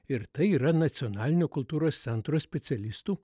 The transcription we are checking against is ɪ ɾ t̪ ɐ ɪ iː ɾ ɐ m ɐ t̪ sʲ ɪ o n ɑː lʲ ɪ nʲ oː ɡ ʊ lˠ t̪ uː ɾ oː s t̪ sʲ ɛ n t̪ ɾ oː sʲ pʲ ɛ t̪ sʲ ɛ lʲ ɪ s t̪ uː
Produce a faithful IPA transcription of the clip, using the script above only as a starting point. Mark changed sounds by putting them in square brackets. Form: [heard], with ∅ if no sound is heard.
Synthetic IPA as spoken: ɪ ɾ t̪ ɐ ɪ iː ɾ ɐ [n] ɐ t̪ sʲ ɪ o n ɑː lʲ ɪ nʲ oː [k] ʊ lˠ t̪ uː ɾ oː s t̪ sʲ ɛ n t̪ ɾ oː sʲ pʲ ɛ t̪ sʲ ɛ lʲ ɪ s t̪ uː